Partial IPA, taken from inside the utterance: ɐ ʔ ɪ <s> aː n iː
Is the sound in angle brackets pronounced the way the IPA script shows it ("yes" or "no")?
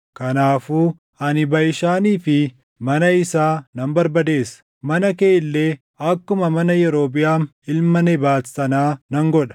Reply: no